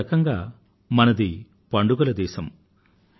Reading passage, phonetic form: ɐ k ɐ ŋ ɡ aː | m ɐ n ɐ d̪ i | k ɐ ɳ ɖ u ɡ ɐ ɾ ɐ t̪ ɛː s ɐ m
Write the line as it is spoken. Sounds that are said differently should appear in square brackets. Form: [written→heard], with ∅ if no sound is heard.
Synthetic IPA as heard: ɐ k ɐ ŋ ɡ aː | m ɐ n ɐ d̪ i | [k→p] ɐ ɳ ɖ u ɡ ɐ [ɾ→l] ɐ [t̪→d̪] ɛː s ɐ m